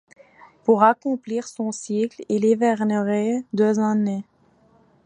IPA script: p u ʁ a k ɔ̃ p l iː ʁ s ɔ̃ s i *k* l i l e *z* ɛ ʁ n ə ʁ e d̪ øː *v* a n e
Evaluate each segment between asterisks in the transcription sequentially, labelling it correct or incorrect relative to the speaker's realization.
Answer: correct, incorrect: v, incorrect: z

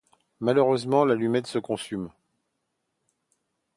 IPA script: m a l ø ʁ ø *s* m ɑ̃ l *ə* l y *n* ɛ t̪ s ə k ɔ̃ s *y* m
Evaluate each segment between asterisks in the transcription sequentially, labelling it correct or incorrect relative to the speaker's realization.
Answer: incorrect: z, incorrect: a, incorrect: m, correct

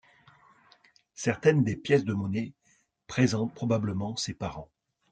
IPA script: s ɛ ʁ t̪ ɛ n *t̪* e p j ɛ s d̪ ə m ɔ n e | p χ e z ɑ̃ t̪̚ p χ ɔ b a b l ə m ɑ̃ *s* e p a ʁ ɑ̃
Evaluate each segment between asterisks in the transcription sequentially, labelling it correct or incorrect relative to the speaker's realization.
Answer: incorrect: d̪, correct

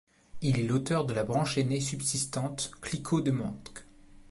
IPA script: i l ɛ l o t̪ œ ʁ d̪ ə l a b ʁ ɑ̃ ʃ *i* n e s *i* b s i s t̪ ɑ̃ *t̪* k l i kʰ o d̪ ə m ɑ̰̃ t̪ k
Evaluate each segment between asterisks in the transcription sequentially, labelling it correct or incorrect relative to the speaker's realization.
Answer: incorrect: e, incorrect: y, correct

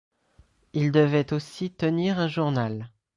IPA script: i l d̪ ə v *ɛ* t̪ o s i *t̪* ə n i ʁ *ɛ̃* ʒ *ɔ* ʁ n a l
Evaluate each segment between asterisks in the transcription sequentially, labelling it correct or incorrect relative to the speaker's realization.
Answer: correct, correct, correct, incorrect: u

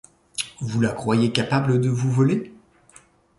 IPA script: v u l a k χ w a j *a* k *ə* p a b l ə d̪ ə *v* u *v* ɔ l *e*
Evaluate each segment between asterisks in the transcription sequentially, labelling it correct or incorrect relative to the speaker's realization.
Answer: incorrect: e, incorrect: a, correct, correct, correct

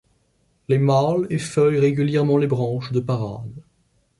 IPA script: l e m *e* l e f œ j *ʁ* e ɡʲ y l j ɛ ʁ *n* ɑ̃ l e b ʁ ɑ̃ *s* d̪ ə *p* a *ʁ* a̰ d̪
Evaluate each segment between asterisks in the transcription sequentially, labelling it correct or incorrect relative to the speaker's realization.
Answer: incorrect: a, correct, incorrect: m, incorrect: ʃ, correct, correct

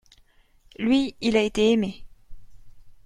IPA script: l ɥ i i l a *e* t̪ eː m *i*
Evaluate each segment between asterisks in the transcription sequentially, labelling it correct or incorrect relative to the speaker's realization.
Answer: correct, incorrect: e

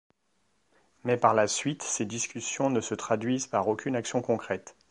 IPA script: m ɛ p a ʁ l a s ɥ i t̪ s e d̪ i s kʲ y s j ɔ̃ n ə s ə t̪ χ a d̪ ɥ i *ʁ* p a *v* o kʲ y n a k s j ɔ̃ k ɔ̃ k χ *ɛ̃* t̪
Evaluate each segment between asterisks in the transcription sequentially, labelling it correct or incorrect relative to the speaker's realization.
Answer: incorrect: z, incorrect: ʁ, incorrect: ɛ

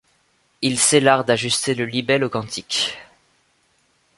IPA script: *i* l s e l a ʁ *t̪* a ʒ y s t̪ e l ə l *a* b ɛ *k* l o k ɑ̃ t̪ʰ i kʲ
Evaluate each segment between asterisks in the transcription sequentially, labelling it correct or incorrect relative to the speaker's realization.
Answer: correct, incorrect: d̪, incorrect: i, incorrect: none

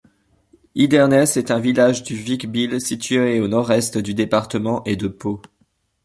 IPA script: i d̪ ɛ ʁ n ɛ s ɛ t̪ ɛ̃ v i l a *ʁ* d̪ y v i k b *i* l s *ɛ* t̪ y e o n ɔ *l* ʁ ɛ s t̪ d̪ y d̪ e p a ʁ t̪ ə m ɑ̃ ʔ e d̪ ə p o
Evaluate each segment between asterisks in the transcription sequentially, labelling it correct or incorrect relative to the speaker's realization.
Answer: incorrect: ʒ, correct, incorrect: i, incorrect: none

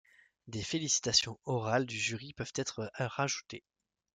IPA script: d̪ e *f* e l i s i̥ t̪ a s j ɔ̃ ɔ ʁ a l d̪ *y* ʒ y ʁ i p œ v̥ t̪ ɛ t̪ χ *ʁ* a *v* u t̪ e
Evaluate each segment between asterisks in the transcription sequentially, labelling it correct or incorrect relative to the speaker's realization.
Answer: correct, correct, correct, incorrect: ʒ

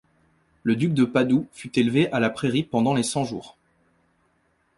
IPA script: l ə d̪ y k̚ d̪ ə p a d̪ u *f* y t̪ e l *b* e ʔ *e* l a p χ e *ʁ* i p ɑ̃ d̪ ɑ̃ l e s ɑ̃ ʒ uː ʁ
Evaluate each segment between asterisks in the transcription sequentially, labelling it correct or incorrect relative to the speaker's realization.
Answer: correct, incorrect: v, incorrect: a, correct

